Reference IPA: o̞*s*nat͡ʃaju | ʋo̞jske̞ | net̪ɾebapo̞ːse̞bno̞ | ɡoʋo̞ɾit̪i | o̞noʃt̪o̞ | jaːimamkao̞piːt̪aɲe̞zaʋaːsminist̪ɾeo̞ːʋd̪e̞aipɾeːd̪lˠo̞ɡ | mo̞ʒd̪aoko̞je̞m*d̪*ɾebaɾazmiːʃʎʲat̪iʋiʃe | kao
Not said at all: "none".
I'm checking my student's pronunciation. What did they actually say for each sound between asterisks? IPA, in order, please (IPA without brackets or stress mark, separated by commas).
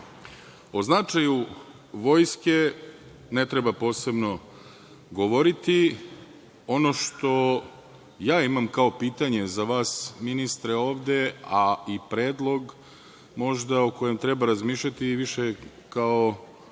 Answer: z, t̪